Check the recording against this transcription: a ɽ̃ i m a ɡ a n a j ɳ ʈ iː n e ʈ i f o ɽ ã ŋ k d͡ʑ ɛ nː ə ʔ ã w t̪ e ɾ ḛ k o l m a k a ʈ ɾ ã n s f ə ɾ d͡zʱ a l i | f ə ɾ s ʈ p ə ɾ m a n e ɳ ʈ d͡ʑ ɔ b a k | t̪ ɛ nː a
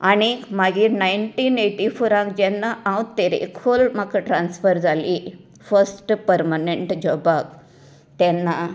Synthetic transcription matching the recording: a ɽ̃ i m a ɡ i n a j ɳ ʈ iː n e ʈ i f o ɾ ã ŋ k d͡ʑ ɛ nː a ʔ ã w t̪ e ɾ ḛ k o l m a k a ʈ ɾ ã n s f ə ɾ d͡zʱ a l i | f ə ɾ s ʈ p ə ɾ m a n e ɳ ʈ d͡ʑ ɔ b a k | t̪ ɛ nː a